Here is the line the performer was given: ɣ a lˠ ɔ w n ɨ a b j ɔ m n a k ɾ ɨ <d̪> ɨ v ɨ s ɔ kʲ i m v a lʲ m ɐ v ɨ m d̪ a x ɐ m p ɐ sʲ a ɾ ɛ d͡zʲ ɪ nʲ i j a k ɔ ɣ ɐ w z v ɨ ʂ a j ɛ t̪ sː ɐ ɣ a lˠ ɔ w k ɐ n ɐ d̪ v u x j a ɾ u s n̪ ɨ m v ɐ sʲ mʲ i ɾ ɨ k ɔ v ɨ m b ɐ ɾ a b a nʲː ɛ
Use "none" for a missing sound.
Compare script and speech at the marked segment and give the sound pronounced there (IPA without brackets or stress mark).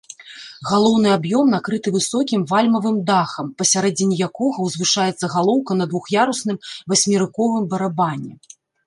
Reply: t̪